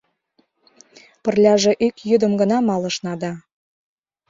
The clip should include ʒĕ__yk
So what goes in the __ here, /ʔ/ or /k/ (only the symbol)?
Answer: ʔ